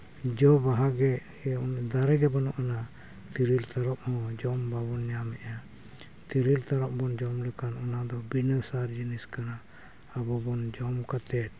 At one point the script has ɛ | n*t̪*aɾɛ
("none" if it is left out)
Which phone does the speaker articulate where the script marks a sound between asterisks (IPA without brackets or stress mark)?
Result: d̪